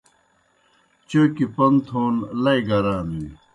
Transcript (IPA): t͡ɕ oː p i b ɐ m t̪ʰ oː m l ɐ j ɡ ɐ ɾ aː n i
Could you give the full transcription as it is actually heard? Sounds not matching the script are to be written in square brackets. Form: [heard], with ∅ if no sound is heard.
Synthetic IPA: t͡ɕ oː [k] i [p] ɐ [n] t̪ʰ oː [n] l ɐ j ɡ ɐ ɾ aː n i